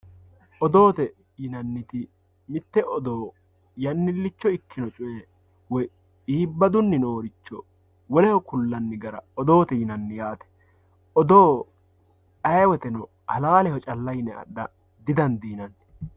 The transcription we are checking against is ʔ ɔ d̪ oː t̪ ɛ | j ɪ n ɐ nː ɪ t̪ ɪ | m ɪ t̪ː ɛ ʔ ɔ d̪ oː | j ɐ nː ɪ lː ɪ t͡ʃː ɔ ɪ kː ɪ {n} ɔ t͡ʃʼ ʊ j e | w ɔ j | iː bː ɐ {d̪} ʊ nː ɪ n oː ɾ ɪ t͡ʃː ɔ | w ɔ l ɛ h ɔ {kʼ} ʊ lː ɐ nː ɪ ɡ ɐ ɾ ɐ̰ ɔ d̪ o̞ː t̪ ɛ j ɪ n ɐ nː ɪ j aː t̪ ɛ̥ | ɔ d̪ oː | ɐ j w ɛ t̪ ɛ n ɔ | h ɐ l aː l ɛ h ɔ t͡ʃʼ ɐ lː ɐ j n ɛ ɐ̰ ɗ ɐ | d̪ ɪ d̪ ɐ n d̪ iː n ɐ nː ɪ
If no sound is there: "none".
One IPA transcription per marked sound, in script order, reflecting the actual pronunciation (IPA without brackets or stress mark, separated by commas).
n, d̪, k